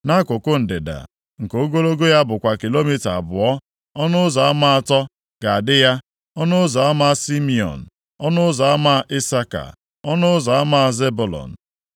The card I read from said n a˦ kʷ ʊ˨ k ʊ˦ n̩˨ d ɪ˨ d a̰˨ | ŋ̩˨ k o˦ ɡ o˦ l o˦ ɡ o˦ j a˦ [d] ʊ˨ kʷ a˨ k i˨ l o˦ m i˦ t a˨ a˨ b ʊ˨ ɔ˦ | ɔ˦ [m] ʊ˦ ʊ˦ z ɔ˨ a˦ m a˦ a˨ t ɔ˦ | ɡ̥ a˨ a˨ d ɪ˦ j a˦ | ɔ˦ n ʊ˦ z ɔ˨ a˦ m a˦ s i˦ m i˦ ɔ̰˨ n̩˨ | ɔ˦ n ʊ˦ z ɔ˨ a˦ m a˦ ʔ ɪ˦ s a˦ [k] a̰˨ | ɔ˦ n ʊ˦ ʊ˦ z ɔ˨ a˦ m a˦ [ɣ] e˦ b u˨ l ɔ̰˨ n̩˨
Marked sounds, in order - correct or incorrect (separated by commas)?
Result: incorrect, incorrect, correct, incorrect